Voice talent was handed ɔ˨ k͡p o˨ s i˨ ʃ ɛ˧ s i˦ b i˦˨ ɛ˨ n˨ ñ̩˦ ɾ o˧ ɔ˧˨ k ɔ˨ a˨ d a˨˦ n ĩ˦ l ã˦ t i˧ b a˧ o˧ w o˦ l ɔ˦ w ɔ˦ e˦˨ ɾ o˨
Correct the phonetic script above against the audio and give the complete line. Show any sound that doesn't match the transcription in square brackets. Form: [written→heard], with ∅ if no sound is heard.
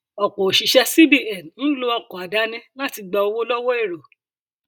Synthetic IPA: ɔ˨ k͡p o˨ [s→ʃ] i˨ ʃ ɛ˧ s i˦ b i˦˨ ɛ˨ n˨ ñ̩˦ [ɾ→l] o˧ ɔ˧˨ k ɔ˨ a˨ d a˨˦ n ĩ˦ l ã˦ t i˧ [b→ɡ͡b] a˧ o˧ w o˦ l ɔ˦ w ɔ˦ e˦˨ ɾ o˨